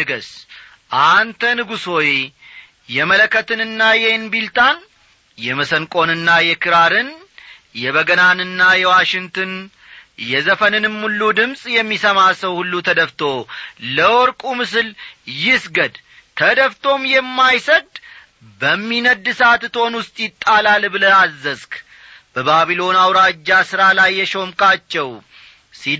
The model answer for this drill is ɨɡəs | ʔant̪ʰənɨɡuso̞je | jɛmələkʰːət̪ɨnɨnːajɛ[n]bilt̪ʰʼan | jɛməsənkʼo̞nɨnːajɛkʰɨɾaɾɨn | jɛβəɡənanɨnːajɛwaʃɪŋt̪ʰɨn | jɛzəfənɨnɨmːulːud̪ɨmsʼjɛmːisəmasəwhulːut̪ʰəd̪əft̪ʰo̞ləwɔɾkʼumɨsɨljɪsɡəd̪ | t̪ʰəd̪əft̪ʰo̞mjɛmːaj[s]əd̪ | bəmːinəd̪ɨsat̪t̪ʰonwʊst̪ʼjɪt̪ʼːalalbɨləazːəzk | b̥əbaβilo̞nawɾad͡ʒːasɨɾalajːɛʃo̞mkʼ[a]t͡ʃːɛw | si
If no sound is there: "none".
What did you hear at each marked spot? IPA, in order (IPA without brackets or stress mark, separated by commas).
n, s, a